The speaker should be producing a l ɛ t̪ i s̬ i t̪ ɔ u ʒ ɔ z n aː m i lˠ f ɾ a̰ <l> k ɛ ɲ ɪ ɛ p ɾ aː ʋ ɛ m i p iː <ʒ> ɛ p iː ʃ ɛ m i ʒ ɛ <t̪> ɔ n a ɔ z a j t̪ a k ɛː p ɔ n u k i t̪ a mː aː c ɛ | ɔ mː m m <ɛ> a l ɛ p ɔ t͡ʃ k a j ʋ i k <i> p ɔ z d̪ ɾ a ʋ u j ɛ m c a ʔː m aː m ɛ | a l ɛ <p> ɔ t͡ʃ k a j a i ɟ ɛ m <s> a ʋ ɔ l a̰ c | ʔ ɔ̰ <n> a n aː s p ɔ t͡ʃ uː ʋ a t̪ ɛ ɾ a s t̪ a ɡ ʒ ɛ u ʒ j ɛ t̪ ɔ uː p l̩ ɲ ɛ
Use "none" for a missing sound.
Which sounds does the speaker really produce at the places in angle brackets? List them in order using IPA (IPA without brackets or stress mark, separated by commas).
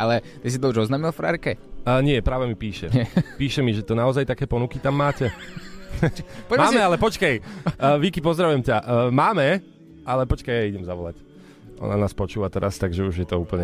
ɾ, ʃ, t̪, ɛ, i, p, z, n